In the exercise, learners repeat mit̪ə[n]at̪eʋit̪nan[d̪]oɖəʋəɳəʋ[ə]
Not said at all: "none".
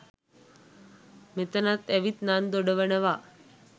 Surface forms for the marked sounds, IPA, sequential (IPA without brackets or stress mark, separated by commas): n, d̪, a